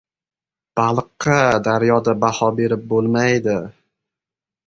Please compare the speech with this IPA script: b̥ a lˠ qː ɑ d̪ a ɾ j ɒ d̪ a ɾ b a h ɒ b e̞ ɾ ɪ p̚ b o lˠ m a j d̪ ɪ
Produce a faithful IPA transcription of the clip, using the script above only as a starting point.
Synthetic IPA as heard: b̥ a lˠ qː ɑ d̪ a ɾ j ɒ d̪ a b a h ɒ b e̞ ɾ ɪ p̚ b o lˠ m a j d̪ ɪ